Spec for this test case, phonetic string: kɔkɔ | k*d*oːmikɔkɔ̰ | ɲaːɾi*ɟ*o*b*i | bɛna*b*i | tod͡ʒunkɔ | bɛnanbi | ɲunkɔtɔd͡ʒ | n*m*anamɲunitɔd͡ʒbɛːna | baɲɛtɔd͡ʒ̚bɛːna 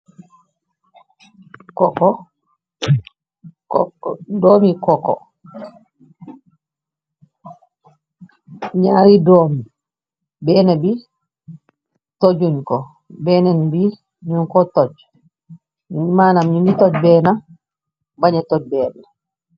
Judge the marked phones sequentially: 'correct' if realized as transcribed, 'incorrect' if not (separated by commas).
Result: correct, incorrect, incorrect, correct, correct